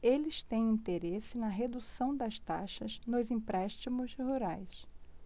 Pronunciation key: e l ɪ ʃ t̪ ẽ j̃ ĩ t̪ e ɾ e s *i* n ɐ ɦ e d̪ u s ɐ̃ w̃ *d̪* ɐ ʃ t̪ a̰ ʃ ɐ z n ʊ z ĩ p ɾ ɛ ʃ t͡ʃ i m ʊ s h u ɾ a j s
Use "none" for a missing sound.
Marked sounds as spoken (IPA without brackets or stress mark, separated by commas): ɪ, d̪